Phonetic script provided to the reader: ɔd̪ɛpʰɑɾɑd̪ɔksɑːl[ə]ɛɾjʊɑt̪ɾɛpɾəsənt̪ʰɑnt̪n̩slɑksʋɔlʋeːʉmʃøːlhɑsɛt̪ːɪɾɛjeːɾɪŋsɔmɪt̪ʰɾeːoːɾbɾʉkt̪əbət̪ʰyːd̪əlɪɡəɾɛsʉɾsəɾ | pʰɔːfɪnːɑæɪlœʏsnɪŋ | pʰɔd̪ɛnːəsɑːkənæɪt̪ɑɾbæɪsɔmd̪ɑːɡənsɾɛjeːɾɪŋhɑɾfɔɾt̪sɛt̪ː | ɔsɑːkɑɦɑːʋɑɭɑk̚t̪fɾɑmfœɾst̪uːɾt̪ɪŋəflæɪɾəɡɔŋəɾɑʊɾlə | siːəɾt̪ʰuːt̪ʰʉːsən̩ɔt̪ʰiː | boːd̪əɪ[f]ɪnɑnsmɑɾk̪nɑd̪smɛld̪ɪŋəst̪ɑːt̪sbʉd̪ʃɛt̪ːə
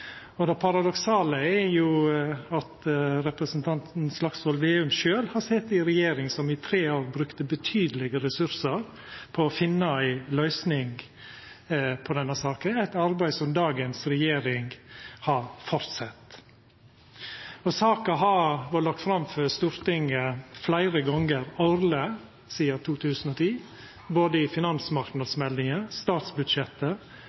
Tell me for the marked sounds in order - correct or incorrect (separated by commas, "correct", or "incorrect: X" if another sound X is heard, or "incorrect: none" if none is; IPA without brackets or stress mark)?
correct, correct